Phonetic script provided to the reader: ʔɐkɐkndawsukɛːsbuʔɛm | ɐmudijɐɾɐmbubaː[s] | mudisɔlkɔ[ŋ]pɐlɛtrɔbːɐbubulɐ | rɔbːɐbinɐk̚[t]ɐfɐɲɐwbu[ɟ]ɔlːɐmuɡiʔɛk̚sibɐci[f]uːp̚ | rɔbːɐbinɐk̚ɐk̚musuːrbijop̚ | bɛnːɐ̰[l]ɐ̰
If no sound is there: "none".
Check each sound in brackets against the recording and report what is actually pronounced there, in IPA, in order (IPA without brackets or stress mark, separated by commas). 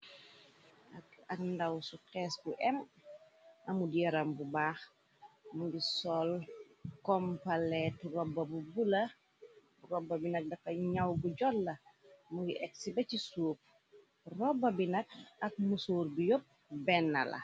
x, m, d, ɟ, s, l